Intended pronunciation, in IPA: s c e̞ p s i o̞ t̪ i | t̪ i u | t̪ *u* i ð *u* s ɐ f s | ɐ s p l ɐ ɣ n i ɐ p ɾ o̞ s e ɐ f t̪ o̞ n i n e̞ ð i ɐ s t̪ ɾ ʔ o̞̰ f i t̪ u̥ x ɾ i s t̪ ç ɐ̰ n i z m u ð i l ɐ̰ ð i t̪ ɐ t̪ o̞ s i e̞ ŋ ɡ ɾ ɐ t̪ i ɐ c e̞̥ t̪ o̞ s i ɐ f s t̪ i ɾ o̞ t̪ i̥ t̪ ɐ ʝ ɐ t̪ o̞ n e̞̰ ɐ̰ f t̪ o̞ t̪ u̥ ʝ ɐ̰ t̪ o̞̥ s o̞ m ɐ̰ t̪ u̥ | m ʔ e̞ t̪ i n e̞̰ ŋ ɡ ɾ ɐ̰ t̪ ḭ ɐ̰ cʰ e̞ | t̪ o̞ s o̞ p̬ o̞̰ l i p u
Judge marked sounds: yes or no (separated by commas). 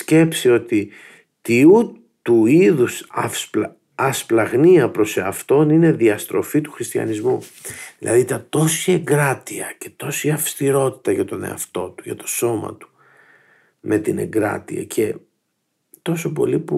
yes, yes